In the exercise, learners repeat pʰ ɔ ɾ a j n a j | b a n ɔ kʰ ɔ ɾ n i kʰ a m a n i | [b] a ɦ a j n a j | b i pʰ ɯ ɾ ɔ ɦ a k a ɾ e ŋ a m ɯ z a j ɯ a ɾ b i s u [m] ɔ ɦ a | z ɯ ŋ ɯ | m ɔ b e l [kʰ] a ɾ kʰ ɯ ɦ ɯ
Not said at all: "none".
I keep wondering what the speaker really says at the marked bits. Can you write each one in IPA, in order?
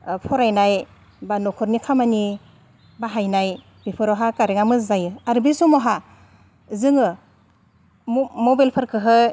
b, m, pʰ

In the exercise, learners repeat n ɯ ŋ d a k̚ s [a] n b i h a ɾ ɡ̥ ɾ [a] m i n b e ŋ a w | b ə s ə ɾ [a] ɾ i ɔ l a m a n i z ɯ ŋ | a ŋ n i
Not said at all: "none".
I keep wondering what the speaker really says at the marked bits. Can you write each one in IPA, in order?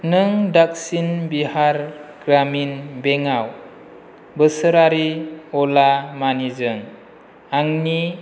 i, a, a

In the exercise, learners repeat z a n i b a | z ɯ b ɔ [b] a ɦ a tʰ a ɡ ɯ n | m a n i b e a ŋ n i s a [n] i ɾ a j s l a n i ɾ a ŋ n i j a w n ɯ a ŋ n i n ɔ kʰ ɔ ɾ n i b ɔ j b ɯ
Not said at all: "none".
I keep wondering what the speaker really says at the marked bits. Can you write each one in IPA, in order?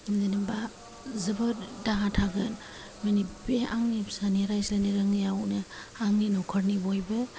d, n

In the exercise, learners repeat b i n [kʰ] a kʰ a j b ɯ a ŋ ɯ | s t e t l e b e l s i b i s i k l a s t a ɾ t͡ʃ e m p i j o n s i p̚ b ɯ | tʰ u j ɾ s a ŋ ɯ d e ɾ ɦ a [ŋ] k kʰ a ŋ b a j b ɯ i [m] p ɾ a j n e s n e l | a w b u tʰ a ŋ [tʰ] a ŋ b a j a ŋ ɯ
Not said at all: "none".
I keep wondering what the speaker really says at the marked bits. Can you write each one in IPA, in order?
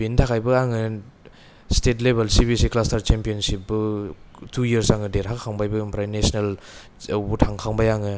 tʰ, none, m, kʰ

